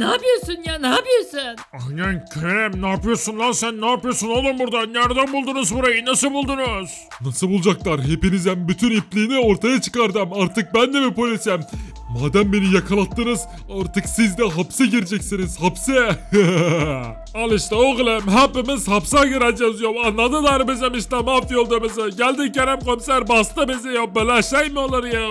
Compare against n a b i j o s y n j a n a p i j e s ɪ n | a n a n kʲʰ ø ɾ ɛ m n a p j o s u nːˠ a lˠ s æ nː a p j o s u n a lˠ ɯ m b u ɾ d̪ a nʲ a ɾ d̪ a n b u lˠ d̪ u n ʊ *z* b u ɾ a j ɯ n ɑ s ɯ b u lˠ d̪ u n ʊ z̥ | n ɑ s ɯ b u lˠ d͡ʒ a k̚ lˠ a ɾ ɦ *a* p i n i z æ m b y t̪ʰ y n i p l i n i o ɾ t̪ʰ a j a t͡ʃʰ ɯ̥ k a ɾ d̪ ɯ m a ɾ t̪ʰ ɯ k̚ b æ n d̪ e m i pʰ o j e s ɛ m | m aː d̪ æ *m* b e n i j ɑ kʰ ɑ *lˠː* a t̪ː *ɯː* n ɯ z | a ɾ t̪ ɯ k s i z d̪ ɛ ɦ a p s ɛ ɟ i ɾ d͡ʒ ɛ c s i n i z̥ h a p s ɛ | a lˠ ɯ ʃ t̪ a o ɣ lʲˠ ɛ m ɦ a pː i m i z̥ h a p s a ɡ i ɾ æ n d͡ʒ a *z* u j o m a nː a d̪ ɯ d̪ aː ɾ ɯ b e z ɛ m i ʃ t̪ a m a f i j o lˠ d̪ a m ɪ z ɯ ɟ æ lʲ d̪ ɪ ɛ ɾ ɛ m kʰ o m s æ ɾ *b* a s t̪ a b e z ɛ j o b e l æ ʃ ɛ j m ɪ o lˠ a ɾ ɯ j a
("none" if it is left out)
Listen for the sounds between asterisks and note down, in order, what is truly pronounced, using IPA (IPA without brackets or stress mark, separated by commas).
z, e, m, lˠ, ɯ, z, b